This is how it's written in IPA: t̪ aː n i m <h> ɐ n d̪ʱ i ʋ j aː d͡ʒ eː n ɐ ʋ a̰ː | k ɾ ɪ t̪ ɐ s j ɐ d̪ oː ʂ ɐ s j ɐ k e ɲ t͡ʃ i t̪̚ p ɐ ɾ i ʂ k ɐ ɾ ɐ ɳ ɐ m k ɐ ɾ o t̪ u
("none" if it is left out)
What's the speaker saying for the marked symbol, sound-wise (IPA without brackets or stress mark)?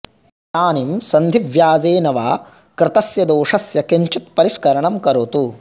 s